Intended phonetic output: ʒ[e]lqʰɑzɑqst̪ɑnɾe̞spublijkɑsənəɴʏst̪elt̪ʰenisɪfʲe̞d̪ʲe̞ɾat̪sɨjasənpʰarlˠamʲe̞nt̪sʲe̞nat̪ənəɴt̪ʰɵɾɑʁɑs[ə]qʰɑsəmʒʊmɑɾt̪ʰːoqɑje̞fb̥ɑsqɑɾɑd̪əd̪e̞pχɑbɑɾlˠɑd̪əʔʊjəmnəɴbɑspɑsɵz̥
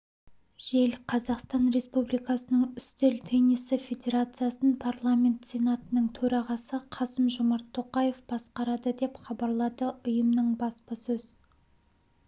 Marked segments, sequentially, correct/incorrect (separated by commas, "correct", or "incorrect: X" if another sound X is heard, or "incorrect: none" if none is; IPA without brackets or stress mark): correct, correct